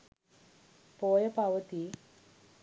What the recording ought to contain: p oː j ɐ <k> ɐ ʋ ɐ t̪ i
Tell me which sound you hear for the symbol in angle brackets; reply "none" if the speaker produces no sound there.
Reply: p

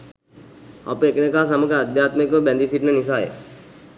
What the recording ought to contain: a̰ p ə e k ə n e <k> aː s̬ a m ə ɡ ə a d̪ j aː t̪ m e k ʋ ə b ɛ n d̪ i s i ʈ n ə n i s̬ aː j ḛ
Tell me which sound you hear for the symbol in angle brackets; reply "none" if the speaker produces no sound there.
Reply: k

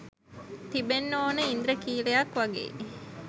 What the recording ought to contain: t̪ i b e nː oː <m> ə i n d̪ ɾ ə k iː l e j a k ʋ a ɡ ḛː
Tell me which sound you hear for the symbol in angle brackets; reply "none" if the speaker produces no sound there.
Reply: n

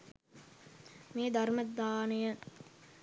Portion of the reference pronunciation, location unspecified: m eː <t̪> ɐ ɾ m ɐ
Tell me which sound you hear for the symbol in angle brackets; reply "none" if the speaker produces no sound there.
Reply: d̪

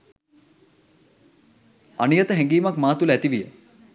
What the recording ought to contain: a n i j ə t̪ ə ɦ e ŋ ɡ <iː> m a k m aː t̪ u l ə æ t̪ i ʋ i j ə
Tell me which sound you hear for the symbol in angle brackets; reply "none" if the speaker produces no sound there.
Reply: iː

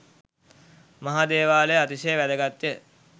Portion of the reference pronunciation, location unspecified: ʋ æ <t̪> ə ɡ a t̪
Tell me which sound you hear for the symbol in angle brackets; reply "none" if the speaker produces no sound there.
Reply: d̪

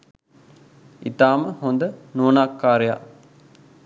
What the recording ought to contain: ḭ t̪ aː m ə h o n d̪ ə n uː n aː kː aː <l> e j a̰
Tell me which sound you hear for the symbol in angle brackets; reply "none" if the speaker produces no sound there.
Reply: ɾ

